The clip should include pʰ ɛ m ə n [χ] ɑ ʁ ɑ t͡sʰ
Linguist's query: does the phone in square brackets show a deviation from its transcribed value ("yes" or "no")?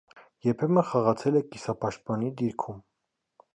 no